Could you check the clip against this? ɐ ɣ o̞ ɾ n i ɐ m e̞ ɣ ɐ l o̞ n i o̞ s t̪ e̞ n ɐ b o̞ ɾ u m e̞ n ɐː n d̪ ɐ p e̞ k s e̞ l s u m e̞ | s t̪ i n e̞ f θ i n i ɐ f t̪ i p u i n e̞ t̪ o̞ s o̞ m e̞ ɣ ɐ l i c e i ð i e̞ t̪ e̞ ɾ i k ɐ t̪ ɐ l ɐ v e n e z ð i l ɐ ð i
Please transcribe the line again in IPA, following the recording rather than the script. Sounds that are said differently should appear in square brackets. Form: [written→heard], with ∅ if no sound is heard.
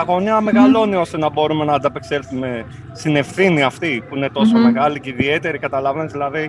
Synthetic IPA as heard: ɐ ɣ o̞ [ɾ→∅] n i ɐ m e̞ ɣ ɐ l o̞ n i o̞ s t̪ e̞ n ɐ b o̞ ɾ u m e̞ n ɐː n d̪ ɐ p e̞ k s e̞ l [s→θ] u m e̞ | s t̪ i n e̞ f θ i n i ɐ f t̪ i p u i n e̞ t̪ o̞ s o̞ m e̞ ɣ ɐ l i c e i ð i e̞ t̪ e̞ ɾ i k ɐ t̪ ɐ l ɐ v e n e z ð i l ɐ ð i